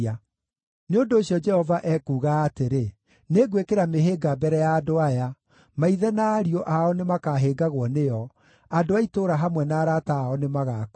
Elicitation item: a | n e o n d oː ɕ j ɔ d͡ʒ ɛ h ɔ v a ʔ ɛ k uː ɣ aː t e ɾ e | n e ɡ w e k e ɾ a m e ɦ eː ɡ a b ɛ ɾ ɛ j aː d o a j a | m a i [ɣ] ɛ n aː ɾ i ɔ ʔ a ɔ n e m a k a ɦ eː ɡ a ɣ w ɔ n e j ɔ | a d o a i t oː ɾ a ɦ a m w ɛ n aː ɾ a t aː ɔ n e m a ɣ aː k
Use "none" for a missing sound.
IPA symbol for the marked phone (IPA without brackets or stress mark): ð